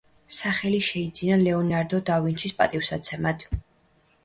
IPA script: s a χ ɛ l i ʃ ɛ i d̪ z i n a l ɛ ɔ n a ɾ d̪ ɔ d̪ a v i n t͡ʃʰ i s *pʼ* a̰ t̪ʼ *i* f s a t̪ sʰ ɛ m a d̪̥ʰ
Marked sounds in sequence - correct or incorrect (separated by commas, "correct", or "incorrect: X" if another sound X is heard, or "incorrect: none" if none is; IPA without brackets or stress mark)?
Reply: correct, correct